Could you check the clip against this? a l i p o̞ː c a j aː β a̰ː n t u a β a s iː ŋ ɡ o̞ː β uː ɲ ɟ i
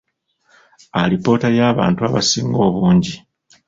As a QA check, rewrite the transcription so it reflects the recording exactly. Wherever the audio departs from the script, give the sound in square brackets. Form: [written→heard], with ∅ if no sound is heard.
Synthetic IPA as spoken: a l i p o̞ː [c→t] a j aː β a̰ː n t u a β a s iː ŋ ɡ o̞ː β uː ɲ ɟ i

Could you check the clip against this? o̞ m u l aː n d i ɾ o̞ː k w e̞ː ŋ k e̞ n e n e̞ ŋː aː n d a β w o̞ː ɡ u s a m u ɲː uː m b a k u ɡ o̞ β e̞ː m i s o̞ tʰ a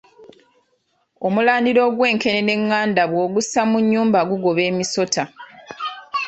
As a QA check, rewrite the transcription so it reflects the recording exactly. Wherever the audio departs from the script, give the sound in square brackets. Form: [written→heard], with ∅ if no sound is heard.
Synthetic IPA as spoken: o̞ m u l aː n d i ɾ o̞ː [k→ɡ] w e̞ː ŋ k e̞ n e n e̞ ŋː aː n d a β w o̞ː ɡ u s a m u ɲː uː m b a [k→ɡ] u ɡ o̞ β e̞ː m i s o̞ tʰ a

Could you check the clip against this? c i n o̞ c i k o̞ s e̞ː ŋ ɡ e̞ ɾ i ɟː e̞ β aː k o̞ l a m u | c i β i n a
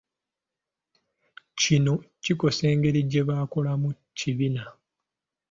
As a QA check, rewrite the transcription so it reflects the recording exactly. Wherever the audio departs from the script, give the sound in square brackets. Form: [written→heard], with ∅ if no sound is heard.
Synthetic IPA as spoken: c i n o̞ c i k o̞ s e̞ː ŋ ɡ e̞ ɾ i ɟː e̞ β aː k o̞ l a m u | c i β i n a

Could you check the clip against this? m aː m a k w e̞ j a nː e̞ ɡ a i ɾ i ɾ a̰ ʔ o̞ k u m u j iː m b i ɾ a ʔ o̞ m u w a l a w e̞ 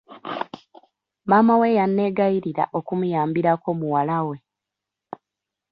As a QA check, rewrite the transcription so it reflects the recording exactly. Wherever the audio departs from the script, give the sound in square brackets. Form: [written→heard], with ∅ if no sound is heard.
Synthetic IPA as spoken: m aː m a [k→∅] w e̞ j a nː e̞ ɡ a i ɾ i ɾ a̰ ʔ o̞ k u m u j [iː→aː] m b i ɾ a [ʔ→k] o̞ m u w a l a w e̞

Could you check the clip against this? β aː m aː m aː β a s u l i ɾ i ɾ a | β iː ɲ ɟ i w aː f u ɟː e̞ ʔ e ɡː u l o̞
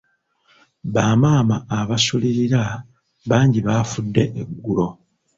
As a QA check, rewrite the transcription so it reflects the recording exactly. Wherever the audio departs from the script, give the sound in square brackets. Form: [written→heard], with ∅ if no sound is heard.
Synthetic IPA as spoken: β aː m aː m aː β a s u l i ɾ i ɾ a | β [iː→aː] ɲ ɟ i [w→β] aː f u [ɟː→dː] e̞ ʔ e ɡː u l o̞

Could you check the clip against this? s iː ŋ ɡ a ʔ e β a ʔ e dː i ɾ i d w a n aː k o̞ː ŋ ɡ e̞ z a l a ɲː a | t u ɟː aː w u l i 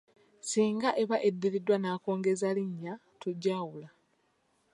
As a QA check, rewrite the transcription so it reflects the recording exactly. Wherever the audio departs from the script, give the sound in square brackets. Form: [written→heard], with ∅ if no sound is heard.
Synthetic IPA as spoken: s iː ŋ ɡ a ʔ e β a ʔ e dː i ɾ i d w a n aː k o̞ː ŋ ɡ e̞ z a l [a→i] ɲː a | t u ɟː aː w u l [i→a]

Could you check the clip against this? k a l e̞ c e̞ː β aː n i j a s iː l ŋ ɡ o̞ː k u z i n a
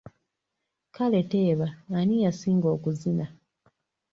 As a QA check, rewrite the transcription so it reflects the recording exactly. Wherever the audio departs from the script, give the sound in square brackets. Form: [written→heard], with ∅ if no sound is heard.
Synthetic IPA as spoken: k a l e̞ [c→t] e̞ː β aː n i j a s iː [l→∅] ŋ ɡ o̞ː k u z i n a

